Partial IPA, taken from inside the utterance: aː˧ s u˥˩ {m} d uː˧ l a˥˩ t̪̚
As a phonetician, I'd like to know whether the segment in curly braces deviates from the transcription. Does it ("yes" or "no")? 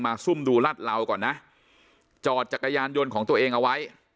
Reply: no